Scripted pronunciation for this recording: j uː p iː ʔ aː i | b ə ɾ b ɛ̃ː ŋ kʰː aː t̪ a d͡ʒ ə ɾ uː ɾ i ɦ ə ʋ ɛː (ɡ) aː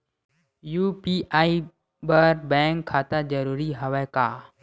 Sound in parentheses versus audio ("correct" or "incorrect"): incorrect